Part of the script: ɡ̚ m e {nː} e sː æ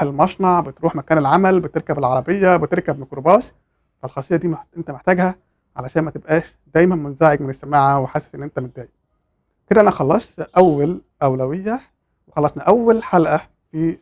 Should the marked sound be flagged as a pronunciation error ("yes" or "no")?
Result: yes